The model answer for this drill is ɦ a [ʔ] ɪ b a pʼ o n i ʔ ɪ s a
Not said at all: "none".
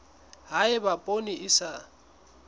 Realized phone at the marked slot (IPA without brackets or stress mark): none